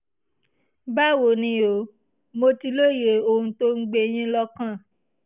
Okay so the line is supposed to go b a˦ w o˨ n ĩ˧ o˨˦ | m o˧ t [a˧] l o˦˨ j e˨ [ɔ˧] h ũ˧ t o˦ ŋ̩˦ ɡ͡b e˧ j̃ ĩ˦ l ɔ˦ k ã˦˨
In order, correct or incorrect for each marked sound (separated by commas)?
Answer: incorrect, incorrect